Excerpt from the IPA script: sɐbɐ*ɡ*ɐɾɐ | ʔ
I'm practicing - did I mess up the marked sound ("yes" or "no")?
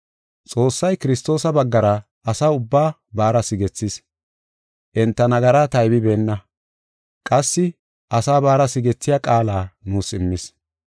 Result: yes